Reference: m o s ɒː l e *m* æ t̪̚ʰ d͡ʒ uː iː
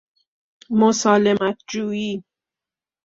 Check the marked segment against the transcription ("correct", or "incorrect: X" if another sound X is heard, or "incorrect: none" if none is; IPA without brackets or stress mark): correct